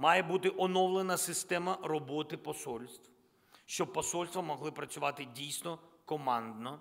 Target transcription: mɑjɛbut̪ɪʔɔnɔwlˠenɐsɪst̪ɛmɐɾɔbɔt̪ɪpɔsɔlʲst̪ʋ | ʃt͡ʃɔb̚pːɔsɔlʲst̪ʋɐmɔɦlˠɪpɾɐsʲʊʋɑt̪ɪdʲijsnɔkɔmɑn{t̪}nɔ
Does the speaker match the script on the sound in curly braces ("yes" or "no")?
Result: no